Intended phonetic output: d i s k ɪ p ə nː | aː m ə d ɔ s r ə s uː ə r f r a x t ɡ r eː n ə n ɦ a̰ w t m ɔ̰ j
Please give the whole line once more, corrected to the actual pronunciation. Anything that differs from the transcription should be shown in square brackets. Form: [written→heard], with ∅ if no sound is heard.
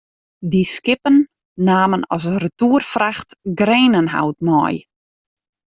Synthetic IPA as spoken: d i s k ɪ p ə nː | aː m ə [d→n] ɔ s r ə [s→t] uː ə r f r a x t ɡ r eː n ə n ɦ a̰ w t m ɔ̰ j